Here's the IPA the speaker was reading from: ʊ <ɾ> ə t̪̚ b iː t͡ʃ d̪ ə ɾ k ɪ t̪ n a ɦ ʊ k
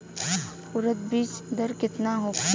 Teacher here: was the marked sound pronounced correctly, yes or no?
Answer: yes